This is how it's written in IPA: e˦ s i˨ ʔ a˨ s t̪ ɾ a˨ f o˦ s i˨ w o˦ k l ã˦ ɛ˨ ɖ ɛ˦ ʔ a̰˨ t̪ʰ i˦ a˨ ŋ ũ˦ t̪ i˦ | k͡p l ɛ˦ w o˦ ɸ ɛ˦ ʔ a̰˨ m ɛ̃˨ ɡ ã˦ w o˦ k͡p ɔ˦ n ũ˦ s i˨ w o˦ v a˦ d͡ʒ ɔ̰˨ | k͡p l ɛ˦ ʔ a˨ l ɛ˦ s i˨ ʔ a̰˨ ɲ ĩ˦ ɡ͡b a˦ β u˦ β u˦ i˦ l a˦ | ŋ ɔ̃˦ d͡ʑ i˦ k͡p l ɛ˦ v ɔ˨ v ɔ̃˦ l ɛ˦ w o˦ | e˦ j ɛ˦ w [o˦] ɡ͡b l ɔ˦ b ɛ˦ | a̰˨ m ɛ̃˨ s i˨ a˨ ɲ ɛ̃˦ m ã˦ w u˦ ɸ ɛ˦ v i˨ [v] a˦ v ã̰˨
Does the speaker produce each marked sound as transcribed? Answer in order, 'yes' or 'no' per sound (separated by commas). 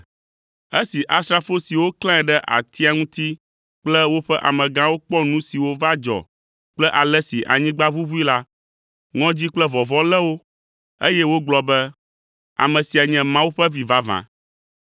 yes, yes